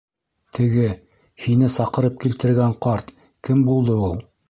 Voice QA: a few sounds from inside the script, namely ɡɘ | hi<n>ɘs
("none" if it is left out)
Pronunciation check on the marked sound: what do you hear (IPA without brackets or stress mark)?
n